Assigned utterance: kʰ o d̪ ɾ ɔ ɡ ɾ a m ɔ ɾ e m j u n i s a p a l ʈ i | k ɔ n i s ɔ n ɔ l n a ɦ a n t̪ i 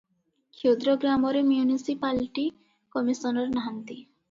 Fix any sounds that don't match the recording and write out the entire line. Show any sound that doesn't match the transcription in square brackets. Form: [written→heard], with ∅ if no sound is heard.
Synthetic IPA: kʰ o d̪ ɾ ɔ ɡ ɾ a m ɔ ɾ e m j u n i s [a→i] p a l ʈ i | k ɔ [n→m] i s ɔ n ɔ [l→ɾ] n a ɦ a n t̪ i